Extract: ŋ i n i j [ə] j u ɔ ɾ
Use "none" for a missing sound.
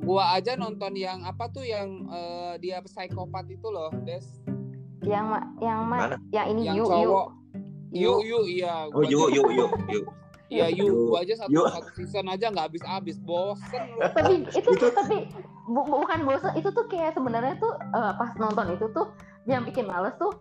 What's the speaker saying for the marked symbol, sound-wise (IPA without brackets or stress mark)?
a